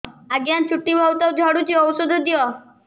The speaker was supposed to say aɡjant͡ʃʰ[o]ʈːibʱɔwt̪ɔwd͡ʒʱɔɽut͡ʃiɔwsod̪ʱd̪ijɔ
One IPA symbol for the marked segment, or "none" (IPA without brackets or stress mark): u